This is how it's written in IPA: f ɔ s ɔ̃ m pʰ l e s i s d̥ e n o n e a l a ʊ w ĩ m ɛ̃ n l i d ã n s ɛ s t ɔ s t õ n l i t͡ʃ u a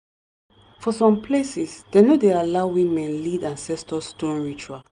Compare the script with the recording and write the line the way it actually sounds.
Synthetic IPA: f ɔ s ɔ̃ m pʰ l e s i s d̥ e n o d e a l a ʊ w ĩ m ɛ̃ n l i d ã n s ɛ s t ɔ s t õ n ɹ i t͡ʃ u a